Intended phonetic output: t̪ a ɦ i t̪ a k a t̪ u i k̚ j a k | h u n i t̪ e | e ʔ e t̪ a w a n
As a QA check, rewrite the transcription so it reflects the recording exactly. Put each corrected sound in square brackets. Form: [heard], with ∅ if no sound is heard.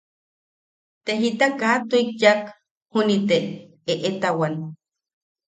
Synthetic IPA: t̪ [e] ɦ i t̪ a k a t̪ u i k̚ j a k | h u n i t̪ e | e ʔ e t̪ a w a n